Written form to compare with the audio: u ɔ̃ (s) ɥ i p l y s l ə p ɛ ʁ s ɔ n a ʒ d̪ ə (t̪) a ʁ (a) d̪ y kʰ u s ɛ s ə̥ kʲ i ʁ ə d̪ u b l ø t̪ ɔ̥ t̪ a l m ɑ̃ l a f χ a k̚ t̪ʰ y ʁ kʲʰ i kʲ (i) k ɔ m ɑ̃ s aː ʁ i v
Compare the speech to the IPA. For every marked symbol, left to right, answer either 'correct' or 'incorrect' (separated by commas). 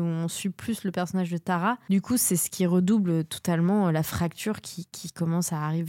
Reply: correct, correct, correct, correct